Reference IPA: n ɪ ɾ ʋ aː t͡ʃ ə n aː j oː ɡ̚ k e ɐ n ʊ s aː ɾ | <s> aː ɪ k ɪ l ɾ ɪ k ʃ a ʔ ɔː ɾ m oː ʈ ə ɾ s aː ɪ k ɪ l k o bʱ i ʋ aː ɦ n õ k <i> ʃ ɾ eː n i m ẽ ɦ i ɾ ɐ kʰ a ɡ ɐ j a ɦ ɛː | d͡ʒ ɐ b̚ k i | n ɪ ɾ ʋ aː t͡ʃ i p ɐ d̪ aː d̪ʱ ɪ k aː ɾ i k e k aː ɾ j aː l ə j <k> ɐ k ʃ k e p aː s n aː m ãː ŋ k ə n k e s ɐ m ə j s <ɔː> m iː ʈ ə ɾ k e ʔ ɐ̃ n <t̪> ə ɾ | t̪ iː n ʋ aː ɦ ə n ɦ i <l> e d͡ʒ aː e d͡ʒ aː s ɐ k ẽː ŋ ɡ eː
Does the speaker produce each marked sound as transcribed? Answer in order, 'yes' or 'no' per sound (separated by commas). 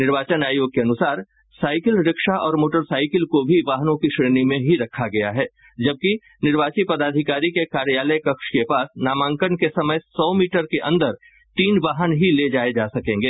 yes, yes, yes, yes, no, yes